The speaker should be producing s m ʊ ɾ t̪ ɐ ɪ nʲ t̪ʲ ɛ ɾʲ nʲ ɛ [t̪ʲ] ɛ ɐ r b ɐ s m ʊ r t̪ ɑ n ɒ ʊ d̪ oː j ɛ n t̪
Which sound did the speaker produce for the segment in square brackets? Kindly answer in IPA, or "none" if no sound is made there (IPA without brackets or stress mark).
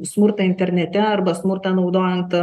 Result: t̪ʲ